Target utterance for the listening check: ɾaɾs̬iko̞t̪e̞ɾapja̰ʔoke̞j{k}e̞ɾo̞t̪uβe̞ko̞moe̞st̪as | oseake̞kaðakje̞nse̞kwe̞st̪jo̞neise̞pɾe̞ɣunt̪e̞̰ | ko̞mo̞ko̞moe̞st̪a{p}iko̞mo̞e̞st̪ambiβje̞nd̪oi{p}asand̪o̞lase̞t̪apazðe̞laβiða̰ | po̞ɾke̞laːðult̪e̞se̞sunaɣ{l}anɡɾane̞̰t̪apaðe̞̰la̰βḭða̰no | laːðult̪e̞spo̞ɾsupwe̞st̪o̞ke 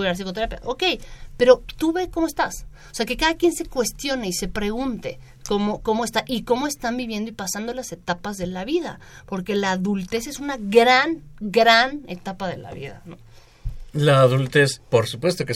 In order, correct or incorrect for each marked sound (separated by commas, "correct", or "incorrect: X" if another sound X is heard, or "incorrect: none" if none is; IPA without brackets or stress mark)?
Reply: incorrect: p, incorrect: ʔ, correct, incorrect: ɾ